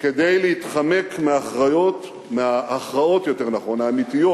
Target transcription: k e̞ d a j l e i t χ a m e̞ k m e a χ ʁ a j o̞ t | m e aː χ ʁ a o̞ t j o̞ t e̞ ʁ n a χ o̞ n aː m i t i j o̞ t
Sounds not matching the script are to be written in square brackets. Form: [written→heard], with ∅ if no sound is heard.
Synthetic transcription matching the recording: k e̞ d [a→e] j l e i t χ a m e̞ k m e a χ ʁ a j o̞ t | m e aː χ ʁ a o̞ t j o̞ t e̞ ʁ n a χ o̞ n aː m i t i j o̞ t